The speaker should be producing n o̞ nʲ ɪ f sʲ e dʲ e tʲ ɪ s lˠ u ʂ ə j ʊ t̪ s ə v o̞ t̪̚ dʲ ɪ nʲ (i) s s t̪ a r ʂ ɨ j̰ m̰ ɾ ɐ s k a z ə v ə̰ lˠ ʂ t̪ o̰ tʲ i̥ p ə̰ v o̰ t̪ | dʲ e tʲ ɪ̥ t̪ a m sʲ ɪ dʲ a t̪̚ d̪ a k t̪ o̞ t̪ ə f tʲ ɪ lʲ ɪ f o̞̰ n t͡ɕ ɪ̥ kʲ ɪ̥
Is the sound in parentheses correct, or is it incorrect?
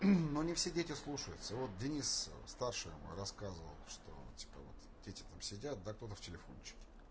correct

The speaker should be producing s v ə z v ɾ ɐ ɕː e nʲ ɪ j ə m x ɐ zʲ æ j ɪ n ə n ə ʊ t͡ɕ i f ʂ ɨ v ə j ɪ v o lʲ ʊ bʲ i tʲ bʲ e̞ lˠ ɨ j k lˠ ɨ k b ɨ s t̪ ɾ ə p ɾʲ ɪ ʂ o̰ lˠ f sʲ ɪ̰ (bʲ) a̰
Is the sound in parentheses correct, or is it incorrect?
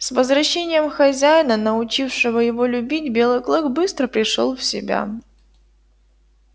correct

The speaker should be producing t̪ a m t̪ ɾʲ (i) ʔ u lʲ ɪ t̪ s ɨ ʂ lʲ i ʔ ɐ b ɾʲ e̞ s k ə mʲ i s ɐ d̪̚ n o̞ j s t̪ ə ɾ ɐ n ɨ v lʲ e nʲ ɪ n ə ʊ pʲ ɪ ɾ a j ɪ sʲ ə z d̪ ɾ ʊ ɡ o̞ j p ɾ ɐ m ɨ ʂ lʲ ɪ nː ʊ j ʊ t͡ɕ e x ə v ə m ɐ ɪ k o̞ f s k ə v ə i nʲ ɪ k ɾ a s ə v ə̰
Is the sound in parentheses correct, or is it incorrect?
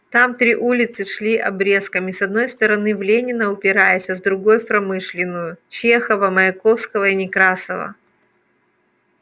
correct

